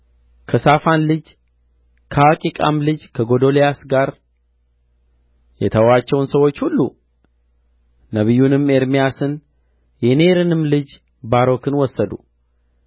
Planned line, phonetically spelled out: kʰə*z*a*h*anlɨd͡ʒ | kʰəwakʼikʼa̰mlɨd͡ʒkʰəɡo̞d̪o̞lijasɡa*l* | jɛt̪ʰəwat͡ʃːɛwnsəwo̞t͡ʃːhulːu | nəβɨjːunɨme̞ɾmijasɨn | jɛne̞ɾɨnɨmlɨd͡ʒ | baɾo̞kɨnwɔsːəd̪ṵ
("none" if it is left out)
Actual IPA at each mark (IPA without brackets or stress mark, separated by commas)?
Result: s, f, ɾ